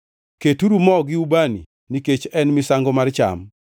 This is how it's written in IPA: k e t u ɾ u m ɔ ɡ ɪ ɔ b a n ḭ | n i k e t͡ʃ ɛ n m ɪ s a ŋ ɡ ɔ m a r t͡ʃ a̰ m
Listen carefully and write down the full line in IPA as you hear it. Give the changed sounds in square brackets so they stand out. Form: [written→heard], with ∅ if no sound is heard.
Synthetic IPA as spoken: k e t u ɾ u m ɔ ɡ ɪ [ɔ→u] b a n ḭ | n i k e t͡ʃ ɛ n m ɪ s a ŋ ɡ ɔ m a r t͡ʃ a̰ m